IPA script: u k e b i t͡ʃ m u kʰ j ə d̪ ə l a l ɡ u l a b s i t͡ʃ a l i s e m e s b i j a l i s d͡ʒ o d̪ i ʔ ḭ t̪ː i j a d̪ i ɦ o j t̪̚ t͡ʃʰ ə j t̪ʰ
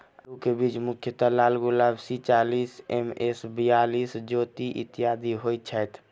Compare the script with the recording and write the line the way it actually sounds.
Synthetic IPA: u k e b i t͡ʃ m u kʰ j ə t̪ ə l a l ɡ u l a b s i t͡ʃ a l i s e m e s b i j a l i s d͡ʒ o t̪ i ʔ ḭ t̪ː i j a d̪ i ɦ o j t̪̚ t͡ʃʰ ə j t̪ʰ